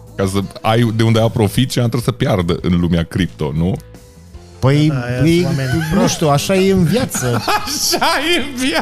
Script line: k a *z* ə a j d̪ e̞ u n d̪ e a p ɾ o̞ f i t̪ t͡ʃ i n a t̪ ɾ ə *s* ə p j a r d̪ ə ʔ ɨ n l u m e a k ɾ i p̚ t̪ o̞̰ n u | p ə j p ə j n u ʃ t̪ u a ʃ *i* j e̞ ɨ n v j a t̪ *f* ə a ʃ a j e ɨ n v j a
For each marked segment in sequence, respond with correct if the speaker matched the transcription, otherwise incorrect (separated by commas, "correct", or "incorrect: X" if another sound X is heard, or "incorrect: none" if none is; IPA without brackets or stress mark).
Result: incorrect: s, correct, incorrect: a, incorrect: s